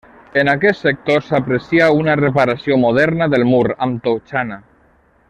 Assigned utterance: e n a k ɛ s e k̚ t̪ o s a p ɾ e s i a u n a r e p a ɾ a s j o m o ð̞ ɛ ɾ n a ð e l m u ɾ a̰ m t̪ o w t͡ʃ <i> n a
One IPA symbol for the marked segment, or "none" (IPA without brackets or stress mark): a